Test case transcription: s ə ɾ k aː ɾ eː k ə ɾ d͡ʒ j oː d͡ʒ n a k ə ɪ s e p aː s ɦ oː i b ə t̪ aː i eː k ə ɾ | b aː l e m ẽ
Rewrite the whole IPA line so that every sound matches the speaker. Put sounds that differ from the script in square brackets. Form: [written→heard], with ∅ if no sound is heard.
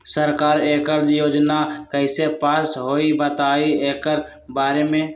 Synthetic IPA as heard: s ə ɾ k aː ɾ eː k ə ɾ d͡ʒ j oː d͡ʒ n a k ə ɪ s e p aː s ɦ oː i b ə t̪ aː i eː k ə ɾ | b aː [l→ɾ] e m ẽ